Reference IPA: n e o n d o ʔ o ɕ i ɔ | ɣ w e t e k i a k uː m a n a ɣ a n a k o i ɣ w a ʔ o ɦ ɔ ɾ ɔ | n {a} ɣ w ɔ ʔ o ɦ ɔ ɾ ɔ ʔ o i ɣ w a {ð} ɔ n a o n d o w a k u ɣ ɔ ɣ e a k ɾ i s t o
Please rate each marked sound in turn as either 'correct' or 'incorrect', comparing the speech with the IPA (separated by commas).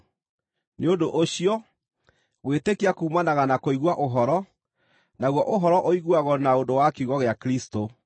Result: correct, incorrect